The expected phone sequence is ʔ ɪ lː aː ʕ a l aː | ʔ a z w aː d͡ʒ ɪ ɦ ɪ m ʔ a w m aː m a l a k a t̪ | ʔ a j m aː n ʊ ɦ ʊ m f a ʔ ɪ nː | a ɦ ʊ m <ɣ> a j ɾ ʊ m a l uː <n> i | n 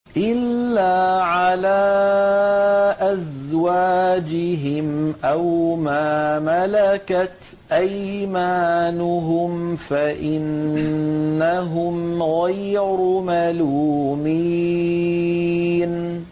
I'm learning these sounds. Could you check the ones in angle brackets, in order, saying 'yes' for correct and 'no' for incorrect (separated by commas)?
yes, no